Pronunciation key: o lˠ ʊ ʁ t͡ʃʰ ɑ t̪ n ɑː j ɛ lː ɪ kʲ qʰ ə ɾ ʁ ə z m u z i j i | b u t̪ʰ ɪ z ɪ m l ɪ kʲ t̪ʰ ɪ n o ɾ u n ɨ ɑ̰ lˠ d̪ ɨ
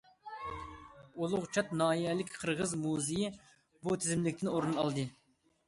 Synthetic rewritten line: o lˠ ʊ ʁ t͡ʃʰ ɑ t̪ n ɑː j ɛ l ɪ kʲ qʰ ə ɾ ʁ ə z m u z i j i | b u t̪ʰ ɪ z ɪ m l ɪ kʲ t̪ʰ ɪ n o ɾ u n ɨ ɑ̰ lˠ d̪ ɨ